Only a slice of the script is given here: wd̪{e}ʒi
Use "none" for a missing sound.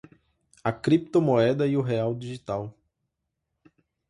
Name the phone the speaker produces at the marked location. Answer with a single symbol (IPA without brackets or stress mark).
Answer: i